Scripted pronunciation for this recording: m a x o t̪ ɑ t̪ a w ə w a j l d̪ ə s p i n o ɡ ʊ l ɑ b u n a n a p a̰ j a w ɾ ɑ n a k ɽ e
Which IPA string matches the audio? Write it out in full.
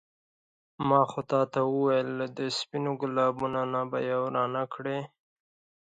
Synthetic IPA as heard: m ɑ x o t̪ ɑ t̪ a w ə w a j l d̪ ə s p i n o ɡ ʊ l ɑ b u n a n a b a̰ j a w ɾ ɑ n a k ɽ e